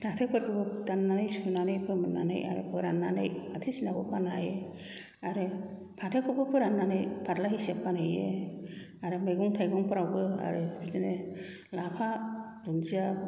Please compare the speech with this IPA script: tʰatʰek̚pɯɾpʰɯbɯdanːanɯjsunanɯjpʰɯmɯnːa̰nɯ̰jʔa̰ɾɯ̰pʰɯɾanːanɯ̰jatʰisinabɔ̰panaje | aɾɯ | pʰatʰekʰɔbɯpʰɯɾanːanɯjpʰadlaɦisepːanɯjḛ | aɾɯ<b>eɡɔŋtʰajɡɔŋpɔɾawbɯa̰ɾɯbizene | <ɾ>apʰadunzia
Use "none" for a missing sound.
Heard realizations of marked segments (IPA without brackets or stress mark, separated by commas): m, l